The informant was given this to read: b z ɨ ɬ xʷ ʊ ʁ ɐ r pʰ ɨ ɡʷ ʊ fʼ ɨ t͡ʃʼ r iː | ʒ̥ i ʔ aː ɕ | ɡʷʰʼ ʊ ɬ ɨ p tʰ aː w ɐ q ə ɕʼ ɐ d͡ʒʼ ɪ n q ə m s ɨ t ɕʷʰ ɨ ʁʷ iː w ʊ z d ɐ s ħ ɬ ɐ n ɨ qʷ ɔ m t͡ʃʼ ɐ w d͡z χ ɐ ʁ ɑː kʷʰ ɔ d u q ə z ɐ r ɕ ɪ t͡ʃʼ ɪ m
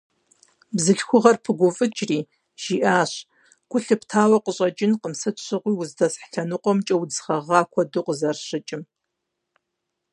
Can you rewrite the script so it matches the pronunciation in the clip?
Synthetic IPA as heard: b z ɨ ɬ xʷ ʊ ʁ ɐ r pʰ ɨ ɡʷ ʊ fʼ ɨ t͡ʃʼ r iː | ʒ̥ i ʔ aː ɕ | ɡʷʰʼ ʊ ɬ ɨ p tʰ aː w ɐ q ə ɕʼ ɐ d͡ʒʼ ɪ n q ə m s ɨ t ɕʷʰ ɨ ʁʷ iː w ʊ z d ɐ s ħ ɬ ɐ n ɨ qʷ ɔ m t͡ʃʼ ɐ w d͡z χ ɐ ʁ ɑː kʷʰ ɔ d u q ə z ɐ r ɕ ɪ t͡ʃʼ ɪ m